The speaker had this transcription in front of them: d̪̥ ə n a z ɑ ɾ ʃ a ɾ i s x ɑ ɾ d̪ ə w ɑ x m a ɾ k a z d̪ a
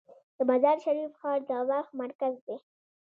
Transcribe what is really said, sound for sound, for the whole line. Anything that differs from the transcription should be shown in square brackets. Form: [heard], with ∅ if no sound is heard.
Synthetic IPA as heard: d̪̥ ə [m] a z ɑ ɾ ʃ a ɾ i [f] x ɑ ɾ d̪ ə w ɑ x m a ɾ k a z d̪ [e]